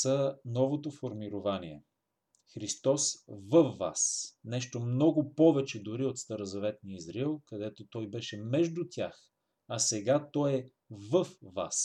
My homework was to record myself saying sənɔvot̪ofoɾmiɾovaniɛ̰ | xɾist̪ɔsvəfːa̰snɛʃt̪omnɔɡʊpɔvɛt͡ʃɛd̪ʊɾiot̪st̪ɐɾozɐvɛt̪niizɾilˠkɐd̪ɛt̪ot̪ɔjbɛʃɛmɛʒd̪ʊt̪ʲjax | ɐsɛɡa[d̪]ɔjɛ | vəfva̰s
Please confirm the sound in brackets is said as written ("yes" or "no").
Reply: no